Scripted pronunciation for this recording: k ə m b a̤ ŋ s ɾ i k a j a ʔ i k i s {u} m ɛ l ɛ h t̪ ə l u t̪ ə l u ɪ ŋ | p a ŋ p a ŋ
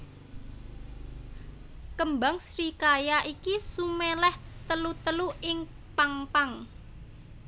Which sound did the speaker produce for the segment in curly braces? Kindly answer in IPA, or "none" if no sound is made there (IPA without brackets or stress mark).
u